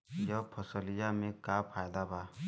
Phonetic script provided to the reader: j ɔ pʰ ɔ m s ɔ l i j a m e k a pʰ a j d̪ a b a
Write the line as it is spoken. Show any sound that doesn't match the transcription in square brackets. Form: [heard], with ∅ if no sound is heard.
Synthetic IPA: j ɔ pʰ ɔ [∅] s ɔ l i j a m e k a pʰ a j d̪ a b a